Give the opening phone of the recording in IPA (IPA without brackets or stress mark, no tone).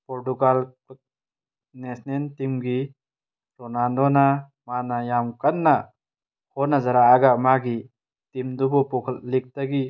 p